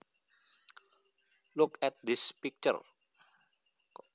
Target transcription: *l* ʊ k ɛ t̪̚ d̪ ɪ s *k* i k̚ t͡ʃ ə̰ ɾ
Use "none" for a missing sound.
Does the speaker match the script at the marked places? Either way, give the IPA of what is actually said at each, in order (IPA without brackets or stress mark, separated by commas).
l, p